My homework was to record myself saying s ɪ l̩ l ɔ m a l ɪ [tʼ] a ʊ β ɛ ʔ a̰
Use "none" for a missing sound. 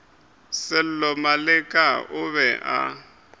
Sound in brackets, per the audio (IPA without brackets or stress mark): kʼ